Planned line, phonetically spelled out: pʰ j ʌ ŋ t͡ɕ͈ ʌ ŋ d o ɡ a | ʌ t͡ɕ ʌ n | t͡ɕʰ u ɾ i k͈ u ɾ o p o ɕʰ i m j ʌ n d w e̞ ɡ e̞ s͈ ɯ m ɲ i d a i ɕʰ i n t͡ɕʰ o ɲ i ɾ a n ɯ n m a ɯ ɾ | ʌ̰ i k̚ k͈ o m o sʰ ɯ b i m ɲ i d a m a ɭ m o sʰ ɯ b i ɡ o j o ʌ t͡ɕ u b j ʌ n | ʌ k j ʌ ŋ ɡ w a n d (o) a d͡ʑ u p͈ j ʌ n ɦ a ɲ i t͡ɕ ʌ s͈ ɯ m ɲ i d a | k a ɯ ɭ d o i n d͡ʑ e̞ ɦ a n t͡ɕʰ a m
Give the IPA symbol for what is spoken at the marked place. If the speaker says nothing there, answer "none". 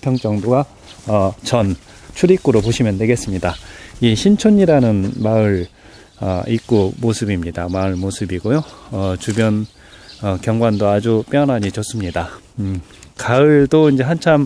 o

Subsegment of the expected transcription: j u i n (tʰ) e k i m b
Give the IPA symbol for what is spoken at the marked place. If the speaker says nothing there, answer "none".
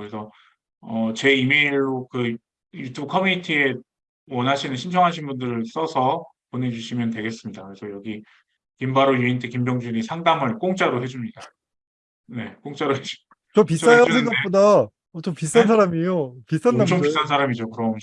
tʰ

